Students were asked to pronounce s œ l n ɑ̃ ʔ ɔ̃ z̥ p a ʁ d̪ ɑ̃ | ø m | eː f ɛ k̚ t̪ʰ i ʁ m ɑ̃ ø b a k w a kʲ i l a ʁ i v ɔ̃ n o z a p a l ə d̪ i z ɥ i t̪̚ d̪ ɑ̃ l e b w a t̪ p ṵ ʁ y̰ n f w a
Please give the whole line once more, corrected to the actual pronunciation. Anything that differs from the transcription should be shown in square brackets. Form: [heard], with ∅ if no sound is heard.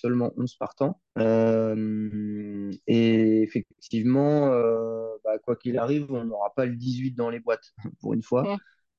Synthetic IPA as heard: s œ l [m] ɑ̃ ʔ ɔ̃ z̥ p a ʁ [t̪] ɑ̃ | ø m | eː f ɛ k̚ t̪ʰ i [v] m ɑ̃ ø b a k w a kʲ i l a ʁ i v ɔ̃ n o [ʁ] a p a l ə d̪ i z ɥ i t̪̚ d̪ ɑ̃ l e b w a t̪ p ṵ ʁ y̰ n f w a